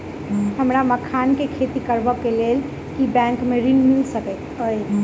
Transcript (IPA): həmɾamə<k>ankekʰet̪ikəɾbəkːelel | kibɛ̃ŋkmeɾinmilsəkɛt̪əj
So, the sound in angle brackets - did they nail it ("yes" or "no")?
no